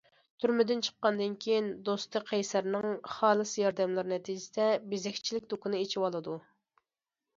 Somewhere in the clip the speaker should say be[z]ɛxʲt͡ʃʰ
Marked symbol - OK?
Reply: yes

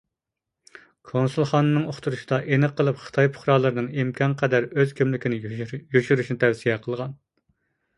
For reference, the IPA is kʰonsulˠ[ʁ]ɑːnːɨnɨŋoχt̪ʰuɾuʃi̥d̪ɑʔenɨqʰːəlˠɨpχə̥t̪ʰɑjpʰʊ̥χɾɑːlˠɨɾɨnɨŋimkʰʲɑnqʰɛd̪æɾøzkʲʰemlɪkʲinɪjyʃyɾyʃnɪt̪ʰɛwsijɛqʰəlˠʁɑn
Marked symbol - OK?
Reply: no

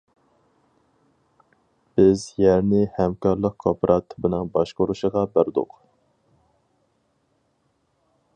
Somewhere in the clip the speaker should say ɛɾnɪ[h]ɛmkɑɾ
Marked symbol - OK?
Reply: yes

